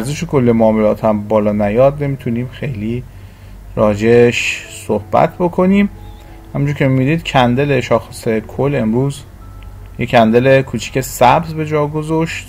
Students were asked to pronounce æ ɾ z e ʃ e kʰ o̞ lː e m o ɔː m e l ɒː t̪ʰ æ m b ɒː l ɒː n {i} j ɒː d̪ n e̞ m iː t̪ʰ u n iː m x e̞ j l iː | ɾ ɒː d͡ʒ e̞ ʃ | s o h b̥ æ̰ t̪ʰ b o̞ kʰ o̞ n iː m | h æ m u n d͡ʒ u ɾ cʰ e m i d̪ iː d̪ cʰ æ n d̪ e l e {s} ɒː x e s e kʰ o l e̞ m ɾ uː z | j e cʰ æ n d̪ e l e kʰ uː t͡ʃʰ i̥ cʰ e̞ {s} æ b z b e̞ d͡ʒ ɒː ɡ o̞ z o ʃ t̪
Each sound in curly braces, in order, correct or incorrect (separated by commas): incorrect, incorrect, correct